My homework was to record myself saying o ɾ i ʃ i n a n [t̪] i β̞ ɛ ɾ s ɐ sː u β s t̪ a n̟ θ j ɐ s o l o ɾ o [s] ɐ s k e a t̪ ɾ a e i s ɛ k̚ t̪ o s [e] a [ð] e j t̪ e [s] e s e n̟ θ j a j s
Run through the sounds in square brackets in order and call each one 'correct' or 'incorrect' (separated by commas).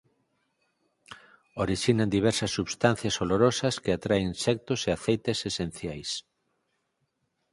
incorrect, correct, correct, incorrect, correct